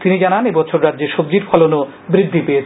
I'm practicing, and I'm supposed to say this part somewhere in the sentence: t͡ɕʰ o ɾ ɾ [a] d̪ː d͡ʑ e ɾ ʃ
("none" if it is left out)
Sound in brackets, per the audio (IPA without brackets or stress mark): a